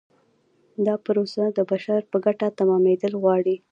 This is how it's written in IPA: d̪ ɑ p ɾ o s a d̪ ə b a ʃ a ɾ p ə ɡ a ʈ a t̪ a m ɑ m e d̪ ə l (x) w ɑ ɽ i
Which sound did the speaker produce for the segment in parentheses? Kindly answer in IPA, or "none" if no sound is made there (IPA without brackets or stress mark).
ɣ